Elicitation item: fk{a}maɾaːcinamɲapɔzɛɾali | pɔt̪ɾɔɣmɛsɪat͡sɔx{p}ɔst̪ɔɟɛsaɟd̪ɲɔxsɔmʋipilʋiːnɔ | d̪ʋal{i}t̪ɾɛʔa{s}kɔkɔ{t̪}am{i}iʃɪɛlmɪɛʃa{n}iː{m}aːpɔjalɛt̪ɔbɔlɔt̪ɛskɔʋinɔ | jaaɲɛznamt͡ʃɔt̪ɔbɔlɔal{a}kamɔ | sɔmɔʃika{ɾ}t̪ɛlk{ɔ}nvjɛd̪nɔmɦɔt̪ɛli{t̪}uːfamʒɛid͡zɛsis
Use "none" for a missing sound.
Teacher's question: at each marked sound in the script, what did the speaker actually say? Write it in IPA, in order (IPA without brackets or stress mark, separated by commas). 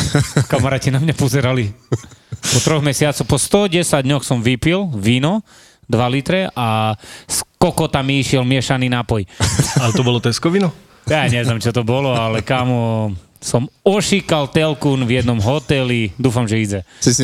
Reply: a, p, i, s, t̪, i, n, n, ɛ, l, u, d̪